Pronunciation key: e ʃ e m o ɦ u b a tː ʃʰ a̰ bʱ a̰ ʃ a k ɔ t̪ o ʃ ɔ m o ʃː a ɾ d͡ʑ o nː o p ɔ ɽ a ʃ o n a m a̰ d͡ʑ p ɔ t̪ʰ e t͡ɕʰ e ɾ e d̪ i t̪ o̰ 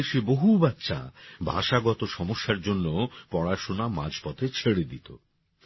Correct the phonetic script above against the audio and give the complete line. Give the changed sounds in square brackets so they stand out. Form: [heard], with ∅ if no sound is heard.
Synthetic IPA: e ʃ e [b] o ɦ u b a tː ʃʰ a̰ bʱ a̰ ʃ a [ɡ] ɔ t̪ o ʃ ɔ m o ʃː a ɾ d͡ʑ o nː o p ɔ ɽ a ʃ o n a m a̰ d͡ʑ p ɔ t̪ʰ e t͡ɕʰ e [ɽ] e d̪ i t̪ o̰